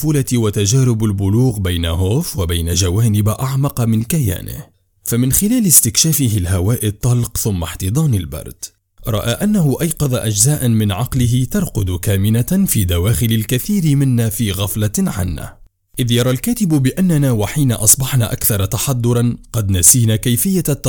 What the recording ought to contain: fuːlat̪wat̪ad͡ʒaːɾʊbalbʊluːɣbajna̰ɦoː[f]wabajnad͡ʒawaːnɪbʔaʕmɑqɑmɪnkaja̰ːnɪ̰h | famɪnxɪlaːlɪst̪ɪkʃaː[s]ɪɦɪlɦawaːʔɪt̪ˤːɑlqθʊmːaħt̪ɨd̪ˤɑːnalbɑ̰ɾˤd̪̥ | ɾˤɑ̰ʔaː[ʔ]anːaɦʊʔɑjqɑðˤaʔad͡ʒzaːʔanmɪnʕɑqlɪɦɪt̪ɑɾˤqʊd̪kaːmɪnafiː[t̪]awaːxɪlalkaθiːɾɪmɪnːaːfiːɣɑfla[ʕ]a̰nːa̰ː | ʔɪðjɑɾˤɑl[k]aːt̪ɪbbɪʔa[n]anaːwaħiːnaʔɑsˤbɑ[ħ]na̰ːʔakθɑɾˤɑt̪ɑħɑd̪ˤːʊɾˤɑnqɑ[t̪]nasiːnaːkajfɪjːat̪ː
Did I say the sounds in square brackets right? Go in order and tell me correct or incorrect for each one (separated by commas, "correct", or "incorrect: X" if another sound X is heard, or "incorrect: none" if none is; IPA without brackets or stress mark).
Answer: correct, incorrect: f, correct, incorrect: d̪, correct, correct, incorrect: nː, correct, incorrect: d̪